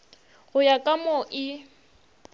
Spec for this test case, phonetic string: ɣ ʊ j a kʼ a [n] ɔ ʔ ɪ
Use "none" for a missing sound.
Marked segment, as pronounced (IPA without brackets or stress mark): m